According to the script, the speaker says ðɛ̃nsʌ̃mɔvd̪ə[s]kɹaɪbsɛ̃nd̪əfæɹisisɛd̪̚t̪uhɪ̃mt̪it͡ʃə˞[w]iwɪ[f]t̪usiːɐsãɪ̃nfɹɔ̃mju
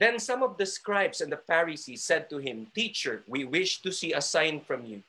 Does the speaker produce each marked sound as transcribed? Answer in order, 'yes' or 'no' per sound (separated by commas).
yes, yes, no